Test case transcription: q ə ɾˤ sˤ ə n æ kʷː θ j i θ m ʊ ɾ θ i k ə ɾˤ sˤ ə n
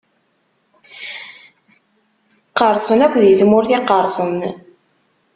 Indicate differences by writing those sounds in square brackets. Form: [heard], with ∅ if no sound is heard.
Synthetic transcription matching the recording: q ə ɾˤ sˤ ə n æ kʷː [ð] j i θ m ʊ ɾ θ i [q] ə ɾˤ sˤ ə n